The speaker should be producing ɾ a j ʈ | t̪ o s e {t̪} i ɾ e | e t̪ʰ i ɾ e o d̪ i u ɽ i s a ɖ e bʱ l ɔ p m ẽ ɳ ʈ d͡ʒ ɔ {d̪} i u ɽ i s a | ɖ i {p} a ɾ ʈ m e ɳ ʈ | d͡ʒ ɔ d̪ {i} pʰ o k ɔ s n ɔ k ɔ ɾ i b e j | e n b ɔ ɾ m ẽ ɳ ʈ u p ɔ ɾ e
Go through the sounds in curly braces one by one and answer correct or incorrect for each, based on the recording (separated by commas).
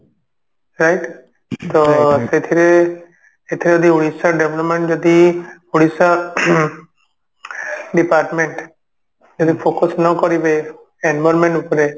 incorrect, correct, correct, correct